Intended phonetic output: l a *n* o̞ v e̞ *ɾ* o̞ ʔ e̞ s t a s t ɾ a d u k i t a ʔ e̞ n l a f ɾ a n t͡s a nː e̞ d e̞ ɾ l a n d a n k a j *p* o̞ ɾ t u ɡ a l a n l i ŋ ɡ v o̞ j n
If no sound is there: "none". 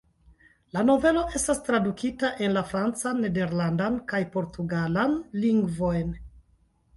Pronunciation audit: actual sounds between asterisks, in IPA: n, l, p

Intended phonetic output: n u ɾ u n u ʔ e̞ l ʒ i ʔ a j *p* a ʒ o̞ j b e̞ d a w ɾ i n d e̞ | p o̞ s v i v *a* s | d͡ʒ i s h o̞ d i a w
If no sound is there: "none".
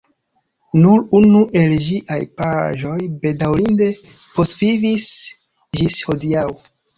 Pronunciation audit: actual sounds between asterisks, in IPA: p, i

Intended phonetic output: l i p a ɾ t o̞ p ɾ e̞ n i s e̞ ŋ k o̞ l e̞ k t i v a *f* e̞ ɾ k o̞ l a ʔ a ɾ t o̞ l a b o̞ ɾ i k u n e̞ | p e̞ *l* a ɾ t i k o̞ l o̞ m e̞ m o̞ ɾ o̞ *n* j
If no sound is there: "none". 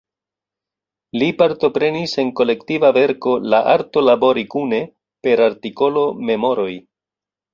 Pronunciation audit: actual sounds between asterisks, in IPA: v, ɾ, none

